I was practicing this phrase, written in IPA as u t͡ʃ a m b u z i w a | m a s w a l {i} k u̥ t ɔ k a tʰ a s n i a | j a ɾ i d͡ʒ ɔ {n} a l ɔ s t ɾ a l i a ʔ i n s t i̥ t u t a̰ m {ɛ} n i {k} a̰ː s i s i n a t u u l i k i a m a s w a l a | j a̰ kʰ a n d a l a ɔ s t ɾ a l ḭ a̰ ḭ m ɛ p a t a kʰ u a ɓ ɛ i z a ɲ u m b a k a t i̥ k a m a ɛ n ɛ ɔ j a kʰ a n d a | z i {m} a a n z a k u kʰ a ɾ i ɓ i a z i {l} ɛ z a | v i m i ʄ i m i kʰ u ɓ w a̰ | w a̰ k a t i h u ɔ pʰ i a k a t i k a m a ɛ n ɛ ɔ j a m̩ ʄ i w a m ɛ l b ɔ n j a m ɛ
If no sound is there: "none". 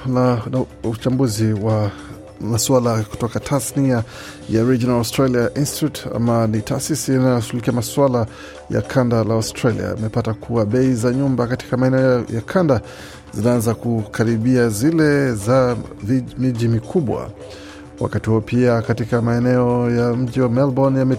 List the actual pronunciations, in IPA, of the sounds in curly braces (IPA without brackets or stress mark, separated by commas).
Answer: a, n, a, t, n, l